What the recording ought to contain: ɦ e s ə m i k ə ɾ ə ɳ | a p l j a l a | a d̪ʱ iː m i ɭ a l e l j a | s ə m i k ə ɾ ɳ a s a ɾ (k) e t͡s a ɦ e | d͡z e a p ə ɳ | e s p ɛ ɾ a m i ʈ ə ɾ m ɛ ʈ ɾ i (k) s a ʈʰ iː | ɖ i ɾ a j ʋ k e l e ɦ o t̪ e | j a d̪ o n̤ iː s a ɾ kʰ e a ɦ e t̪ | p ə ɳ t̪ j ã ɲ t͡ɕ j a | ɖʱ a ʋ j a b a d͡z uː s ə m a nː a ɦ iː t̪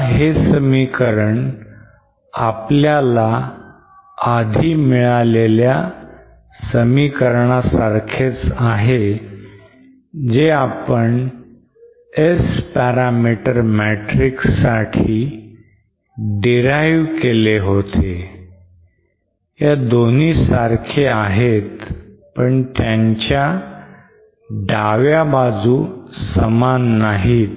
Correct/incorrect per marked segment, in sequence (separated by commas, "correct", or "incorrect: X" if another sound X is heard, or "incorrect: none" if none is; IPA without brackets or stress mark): incorrect: kʰ, correct